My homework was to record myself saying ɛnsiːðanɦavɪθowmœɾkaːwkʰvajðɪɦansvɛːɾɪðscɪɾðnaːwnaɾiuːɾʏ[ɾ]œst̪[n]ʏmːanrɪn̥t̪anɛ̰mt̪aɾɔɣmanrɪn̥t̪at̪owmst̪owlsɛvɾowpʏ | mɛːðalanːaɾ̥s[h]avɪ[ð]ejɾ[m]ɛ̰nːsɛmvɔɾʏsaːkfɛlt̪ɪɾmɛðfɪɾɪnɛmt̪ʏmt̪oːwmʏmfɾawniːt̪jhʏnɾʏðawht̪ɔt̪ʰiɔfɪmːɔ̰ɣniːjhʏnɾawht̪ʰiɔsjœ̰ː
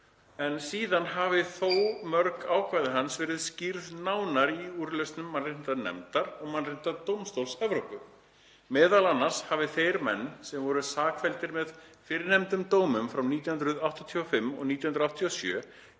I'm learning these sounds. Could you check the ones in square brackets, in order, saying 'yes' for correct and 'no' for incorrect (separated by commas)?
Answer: no, yes, yes, no, yes